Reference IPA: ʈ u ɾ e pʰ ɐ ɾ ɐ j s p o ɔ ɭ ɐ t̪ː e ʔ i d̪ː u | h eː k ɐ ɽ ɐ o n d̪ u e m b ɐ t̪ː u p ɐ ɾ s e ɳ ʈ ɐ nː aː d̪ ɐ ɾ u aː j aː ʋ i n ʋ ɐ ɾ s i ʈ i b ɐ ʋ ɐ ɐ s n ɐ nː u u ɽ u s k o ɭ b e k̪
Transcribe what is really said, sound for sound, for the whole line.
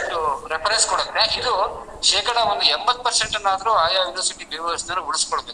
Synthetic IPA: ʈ u ɾ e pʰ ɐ ɾ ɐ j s k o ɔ ɽ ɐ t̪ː e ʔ i d̪ u | ʃ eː k ɐ ɽ ɐ o n d̪ u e m b ɐ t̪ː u p ɐ ɾ s e ɳ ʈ ɐ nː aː d̪ ɐ ɾ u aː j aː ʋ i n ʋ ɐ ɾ s i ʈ i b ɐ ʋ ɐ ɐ s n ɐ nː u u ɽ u s k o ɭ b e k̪